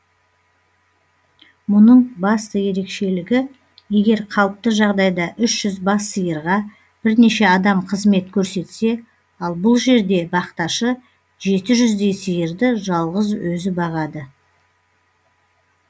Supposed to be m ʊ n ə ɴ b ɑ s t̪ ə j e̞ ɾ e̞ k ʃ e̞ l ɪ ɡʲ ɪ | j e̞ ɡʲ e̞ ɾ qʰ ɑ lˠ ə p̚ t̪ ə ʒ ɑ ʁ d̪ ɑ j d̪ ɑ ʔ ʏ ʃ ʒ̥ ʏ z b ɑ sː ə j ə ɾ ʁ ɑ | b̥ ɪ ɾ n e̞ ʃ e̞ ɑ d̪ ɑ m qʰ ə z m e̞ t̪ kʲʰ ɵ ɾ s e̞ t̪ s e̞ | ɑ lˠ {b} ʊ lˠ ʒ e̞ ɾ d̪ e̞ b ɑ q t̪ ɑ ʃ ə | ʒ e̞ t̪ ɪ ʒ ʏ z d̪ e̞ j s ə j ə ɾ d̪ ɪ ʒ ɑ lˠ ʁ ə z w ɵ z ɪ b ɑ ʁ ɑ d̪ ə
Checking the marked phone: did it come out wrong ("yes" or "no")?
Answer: no